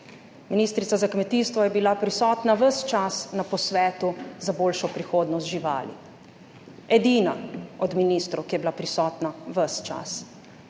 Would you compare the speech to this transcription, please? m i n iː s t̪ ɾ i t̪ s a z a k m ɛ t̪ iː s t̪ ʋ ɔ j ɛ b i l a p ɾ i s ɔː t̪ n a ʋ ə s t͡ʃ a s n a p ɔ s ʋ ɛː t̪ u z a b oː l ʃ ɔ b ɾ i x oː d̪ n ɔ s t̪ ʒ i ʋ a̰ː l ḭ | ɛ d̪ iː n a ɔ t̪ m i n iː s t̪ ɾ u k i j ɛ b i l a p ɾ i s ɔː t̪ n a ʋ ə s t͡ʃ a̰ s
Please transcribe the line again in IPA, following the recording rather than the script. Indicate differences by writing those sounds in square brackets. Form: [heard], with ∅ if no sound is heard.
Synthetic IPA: m i n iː s t̪ ɾ i t̪ s a z a k m ɛ t̪ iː s t̪ ʋ ɔ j ɛ b i l a p ɾ i s ɔː t̪ n a ʋ ə s t͡ʃ a s n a p ɔ s ʋ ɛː t̪ u z a b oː l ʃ ɔ [p] ɾ i x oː d̪ n ɔ s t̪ ʒ i ʋ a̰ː l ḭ | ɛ d̪ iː n a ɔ [d̪] m i n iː s t̪ ɾ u k i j ɛ b i l a p ɾ i s ɔː t̪ n a ʋ ə s t͡ʃ a̰ s